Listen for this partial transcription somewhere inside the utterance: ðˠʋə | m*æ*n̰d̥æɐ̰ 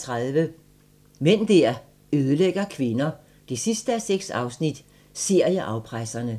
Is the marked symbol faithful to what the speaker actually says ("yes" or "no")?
no